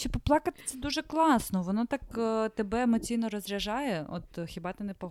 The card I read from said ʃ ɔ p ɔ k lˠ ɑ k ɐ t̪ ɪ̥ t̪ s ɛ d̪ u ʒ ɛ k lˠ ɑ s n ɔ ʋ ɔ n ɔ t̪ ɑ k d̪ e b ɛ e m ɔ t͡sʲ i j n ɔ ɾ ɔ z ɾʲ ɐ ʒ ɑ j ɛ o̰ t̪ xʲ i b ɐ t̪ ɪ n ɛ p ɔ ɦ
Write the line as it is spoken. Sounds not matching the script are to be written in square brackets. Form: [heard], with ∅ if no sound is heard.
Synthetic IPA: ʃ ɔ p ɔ [p] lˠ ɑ k ɐ t̪ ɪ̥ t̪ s ɛ d̪ u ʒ ɛ k lˠ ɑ s n ɔ ʋ ɔ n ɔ t̪ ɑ k [t̪] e b ɛ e m ɔ t͡sʲ i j n ɔ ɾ ɔ z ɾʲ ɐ ʒ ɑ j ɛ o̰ t̪ xʲ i b [ɑ] t̪ ɪ n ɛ p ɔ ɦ